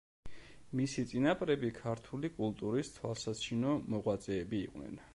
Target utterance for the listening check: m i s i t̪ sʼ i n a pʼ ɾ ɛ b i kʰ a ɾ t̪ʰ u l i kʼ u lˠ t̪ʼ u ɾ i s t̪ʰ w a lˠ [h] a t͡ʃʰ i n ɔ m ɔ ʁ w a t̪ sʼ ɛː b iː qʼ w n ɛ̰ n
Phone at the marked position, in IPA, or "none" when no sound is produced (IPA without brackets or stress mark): s